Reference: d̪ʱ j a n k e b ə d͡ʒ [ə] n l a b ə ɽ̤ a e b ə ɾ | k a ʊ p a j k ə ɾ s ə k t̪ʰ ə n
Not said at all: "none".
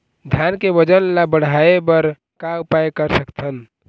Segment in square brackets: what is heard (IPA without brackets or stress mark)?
ə